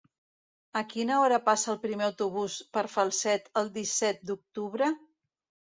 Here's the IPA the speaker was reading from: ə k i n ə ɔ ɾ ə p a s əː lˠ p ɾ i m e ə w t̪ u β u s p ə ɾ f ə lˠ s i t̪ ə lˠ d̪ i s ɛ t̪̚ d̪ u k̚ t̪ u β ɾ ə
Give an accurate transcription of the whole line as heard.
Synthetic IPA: ə k i n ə ɔ ɾ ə p a s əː lˠ p ɾ i m e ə w t̪ u β u s p ə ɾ f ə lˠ s ɛ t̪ ə lˠ d̪ i s ɛ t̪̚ d̪ u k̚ t̪ u β ɾ ə